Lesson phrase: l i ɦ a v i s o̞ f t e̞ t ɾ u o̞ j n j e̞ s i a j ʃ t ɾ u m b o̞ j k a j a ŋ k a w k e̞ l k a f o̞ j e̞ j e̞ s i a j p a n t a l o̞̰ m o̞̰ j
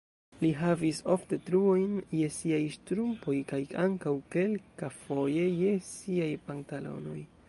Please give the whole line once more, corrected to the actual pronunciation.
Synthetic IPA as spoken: l i ɦ a v i s o̞ f t e̞ t ɾ u o̞ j n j e̞ s i a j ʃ t ɾ u m p o̞ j k a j a ŋ k a w k e̞ l k a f o̞ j e̞ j e̞ s i a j p a n t a l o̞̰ n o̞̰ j